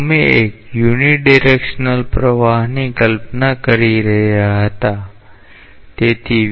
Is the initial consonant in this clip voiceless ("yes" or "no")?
no